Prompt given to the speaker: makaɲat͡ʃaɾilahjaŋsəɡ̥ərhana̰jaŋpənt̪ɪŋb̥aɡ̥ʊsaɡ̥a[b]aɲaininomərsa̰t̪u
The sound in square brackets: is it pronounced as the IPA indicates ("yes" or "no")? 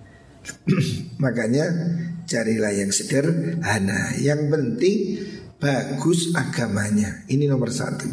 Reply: no